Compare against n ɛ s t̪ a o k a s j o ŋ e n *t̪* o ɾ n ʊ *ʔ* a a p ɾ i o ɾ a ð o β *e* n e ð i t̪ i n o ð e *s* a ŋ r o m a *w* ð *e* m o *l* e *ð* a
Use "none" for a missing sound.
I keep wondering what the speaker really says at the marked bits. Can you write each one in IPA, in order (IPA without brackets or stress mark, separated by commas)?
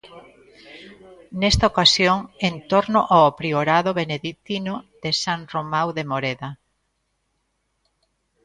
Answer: t̪, ʔ, e, s, w, e, ɾ, ð